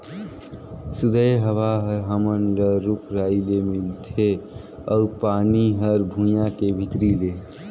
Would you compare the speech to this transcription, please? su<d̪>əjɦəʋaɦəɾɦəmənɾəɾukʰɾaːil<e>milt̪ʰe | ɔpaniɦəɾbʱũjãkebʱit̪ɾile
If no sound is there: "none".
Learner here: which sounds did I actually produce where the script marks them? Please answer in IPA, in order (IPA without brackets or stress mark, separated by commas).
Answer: d̪, e